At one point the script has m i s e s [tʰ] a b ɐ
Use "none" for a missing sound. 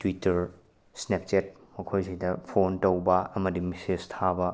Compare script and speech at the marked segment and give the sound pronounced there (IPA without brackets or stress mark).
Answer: tʰ